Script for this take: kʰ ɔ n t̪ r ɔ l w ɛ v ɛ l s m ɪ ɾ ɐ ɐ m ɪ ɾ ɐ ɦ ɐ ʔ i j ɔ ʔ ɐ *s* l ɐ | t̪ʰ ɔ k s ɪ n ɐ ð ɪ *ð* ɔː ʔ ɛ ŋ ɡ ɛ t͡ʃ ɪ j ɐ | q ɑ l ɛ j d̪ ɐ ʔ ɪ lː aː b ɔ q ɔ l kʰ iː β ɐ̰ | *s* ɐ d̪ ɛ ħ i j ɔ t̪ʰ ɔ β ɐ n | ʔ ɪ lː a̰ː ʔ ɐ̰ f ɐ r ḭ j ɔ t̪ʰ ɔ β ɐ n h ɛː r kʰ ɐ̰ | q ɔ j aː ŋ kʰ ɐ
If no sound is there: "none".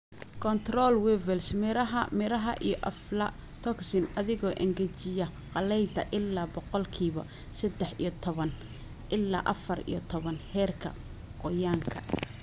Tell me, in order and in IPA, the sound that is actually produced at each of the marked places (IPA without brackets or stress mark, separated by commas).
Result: f, ɣ, s